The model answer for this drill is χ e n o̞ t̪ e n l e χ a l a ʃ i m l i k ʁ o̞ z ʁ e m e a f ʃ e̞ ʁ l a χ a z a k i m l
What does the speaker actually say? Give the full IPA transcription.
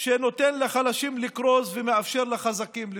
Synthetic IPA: ʃ e n o̞ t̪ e n l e χ a l a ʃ i m l i k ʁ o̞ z v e m e a f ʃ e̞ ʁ l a χ a z a k i m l